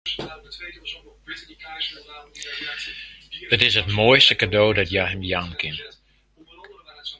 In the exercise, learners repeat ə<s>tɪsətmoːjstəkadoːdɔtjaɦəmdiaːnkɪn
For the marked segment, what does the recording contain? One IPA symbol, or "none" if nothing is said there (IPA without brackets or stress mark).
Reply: none